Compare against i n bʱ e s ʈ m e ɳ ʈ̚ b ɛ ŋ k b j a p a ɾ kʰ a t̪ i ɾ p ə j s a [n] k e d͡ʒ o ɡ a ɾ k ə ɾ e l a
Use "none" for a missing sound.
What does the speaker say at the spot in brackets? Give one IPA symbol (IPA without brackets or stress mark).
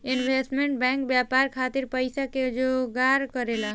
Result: none